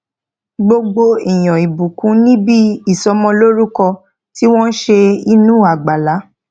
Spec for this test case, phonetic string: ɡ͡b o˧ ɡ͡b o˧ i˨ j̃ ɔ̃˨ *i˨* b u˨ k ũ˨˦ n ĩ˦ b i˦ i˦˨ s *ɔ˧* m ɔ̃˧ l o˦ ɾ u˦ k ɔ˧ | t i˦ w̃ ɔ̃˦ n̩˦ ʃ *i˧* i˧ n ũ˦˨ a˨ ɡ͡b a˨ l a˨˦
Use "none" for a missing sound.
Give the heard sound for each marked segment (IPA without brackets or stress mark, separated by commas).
i˨, ɔ˧, e˧